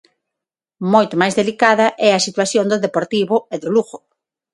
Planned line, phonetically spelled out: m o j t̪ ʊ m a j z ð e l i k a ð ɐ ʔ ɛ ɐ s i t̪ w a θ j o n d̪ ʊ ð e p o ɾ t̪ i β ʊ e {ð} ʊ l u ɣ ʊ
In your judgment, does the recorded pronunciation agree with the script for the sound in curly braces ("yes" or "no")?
yes